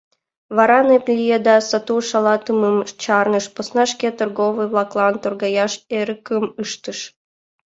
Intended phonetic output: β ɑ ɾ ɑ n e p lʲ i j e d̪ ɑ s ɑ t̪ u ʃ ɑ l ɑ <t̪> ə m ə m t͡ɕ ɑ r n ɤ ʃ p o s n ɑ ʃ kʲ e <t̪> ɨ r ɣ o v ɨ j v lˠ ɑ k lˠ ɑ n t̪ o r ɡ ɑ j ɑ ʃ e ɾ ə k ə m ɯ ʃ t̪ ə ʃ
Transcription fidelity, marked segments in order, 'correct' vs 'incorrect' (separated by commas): correct, correct